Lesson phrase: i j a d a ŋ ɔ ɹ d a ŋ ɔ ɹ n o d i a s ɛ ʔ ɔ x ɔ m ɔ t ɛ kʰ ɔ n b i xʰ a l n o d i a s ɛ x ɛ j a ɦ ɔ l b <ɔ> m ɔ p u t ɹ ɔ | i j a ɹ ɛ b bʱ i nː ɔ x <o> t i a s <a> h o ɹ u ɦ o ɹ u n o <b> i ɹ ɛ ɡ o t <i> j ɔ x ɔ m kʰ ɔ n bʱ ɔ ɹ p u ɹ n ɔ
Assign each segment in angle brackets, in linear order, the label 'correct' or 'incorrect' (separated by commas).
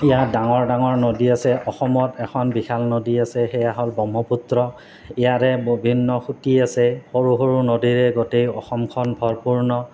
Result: correct, incorrect, incorrect, incorrect, incorrect